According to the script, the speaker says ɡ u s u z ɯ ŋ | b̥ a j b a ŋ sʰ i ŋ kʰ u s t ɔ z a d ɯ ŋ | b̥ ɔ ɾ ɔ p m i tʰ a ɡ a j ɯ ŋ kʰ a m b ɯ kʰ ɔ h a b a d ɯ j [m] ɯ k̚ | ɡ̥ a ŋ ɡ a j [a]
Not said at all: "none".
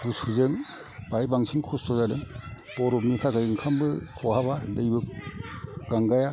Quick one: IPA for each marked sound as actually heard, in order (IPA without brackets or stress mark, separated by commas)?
b, a